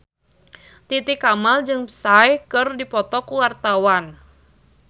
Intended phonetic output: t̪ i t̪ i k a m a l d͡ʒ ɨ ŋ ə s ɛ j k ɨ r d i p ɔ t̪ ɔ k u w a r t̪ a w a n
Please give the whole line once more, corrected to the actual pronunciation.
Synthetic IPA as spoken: t̪ i t̪ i k a m a l d͡ʒ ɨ ŋ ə s a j k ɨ r d i p ɔ t̪ ɔ k u w a r t̪ a w a n